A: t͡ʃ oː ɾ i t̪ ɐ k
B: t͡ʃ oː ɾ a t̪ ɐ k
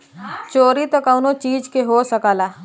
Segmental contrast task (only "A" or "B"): A